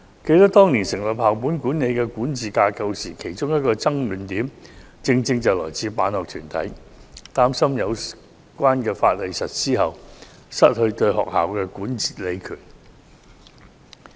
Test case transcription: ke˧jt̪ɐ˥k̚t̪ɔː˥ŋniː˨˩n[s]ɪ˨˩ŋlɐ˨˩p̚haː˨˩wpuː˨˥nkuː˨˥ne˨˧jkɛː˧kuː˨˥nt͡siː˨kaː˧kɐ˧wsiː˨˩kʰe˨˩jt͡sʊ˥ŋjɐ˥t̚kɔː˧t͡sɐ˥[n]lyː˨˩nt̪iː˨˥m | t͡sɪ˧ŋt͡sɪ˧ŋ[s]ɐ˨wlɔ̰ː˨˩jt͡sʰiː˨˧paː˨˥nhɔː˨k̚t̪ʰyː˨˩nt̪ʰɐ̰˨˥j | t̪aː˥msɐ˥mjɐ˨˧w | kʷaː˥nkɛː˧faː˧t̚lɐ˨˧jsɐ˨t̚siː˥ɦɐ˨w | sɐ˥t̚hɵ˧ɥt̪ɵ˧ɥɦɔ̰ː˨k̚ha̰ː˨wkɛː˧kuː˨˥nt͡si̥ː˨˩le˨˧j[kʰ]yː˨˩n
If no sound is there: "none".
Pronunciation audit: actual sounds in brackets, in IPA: s, ŋ, t͡s, kʰ

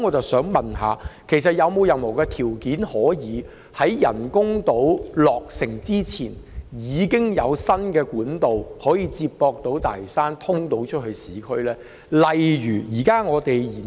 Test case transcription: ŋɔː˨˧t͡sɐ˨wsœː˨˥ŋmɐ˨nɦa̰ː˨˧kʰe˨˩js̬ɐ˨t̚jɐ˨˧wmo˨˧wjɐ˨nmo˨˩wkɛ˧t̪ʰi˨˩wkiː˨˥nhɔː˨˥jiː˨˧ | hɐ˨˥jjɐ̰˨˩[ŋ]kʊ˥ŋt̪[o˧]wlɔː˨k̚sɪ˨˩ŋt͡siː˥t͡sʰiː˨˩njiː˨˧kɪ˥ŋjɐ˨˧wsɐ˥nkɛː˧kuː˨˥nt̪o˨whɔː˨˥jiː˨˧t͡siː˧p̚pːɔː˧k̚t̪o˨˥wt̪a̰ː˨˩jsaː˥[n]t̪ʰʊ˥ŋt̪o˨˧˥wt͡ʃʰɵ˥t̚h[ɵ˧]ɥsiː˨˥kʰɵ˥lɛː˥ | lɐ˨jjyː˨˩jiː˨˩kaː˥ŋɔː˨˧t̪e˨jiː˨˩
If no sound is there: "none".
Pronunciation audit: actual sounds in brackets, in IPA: n, o˨˥, n, ɵ˧

